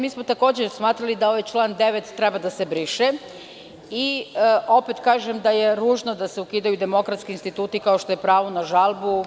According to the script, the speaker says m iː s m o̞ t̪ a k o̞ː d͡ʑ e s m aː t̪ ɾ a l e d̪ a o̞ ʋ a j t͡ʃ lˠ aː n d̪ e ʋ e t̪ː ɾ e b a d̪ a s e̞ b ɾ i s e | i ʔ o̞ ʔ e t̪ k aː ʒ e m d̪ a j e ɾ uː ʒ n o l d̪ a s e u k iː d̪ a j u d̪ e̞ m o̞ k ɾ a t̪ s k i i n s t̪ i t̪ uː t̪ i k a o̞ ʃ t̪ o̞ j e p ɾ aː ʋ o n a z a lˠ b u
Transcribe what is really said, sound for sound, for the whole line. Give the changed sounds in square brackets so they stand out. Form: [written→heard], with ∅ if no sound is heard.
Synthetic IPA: m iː s m o̞ t̪ a k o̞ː d͡ʑ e s m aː t̪ ɾ a l [e→i] d̪ a o̞ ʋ a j t͡ʃ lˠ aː n d̪ e ʋ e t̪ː ɾ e b a d̪ a s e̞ b ɾ i [s→ʃ] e | i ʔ o̞ [ʔ→p] e t̪ k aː ʒ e m d̪ a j e ɾ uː ʒ n o [l→∅] d̪ a s e u k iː d̪ a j u d̪ e̞ m o̞ k ɾ a t̪ s k i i n s t̪ i t̪ uː t̪ i k a o̞ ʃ t̪ o̞ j e p ɾ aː ʋ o n a [z→ʒ] a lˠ b u